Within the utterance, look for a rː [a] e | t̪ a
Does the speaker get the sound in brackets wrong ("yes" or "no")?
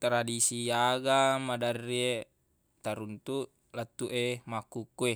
yes